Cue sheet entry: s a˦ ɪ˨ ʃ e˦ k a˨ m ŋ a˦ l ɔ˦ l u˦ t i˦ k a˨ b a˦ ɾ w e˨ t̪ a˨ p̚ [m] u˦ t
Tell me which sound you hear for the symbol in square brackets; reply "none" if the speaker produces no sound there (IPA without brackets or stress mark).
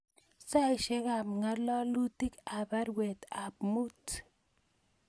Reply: m